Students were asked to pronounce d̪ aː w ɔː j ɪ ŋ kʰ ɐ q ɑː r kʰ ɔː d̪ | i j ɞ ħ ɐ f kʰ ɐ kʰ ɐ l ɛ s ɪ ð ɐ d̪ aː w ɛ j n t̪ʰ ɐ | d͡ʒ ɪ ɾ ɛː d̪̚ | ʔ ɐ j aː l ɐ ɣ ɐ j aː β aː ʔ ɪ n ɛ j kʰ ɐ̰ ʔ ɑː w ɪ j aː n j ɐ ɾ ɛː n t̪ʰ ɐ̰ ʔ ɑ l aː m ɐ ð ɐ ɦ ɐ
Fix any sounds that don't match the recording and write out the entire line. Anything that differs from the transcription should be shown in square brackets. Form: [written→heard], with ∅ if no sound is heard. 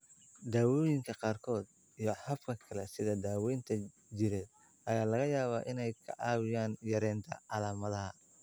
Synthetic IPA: d̪ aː w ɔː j ɪ ŋ kʰ ɐ q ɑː r kʰ ɔː d̪ | i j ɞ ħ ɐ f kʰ ɐ kʰ ɐ l ɛ s ɪ ð ɐ d̪ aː w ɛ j n t̪ʰ ɐ | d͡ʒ ɪ ɾ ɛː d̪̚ | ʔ ɐ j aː l ɐ ɣ ɐ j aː β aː ʔ ɪ n ɛ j kʰ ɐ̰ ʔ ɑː w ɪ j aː n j ɐ ɾ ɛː n t̪ʰ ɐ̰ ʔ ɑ l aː m ɐ ð ɐ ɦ ɐ